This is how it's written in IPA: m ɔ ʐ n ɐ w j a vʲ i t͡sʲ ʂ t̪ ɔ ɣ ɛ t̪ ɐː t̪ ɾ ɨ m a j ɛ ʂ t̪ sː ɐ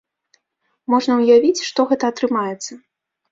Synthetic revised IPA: m ɔ ʐ n ɐ w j a vʲ i t͡sʲ ʂ t̪ ɔ ɣ ɛ t̪ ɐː t̪ ɾ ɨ m a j ɛ t̪ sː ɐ

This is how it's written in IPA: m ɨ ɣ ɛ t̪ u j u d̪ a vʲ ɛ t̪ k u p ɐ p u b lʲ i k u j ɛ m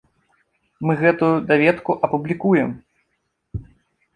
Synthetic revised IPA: m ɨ ɣ ɛ t̪ u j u d̪ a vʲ ɛ t̪ k u ʔ ɐ p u b lʲ i k u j ɛ m

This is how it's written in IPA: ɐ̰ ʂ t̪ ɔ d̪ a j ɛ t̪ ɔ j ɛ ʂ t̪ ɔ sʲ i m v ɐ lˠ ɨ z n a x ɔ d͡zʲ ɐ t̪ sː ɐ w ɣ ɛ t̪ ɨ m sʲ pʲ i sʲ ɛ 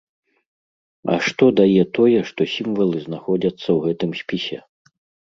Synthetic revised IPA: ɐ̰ ʂ t̪ ɔ d̪ a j ɛ t̪ ɔ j ɛ ʂ t̪ ɔ sʲ i m v ɐ lˠ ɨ z n a x ɔ d͡zʲ ɐ t̪ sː ɐ w ɣ ɛ t̪ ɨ m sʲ pʲ i sʲ ɛ

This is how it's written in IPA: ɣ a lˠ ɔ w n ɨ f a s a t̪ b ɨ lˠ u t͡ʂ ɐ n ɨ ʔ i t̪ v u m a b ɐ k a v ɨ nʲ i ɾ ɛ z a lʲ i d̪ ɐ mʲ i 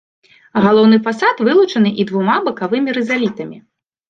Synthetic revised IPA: ɣ a lˠ ɔ w n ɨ f a s a t̪ v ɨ lˠ u t͡ʂ ɐ n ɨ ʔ i d̪ v u m a b ɐ k a v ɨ mʲ i ɾ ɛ z a lʲ i t̪ ɐ mʲ i

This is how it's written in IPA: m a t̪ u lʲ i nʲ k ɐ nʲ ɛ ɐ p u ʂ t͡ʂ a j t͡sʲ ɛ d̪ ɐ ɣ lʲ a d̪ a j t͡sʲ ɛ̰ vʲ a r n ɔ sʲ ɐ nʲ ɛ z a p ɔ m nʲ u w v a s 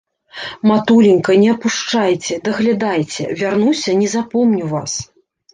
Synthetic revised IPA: m a t̪ u lʲ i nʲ k ɐ nʲ ɛ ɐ p u ʂ t͡ʂ a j t͡sʲ ɛ d̪ ɐ ɣ lʲ a d̪ a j t͡sʲ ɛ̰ vʲ a r n u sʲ ɐ nʲ ɛ z a p ɔ m nʲ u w v a s

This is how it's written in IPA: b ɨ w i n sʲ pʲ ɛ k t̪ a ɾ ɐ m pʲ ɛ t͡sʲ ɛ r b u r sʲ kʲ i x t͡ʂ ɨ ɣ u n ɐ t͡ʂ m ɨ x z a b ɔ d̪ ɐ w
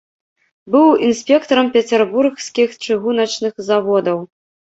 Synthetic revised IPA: b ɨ w i n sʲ pʲ ɛ k t̪ ɐ ɾ ɐ m pʲ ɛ t͡sʲ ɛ r b u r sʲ kʲ i x t͡ʂ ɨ ɣ u n ɐ t͡ʂ n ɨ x z a v ɔ d̪ ɐ w

